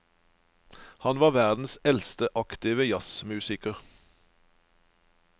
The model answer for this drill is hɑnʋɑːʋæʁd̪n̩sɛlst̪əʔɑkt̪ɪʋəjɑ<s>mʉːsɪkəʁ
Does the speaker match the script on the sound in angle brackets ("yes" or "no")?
yes